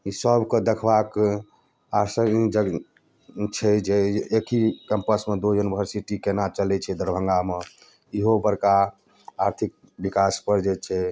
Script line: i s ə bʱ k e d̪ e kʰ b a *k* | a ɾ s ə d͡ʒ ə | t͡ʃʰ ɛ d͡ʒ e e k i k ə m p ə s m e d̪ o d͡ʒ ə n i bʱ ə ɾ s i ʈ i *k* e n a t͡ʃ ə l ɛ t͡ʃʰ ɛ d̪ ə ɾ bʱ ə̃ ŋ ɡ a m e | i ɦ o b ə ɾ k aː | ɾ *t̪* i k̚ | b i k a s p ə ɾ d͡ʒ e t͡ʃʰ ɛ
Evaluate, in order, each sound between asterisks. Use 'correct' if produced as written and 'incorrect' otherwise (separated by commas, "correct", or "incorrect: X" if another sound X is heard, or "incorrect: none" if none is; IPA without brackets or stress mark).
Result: correct, correct, incorrect: t̪ʰ